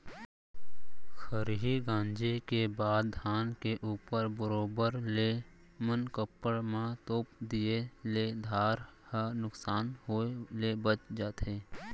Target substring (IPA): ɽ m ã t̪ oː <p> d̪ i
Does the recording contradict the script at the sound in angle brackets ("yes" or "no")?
no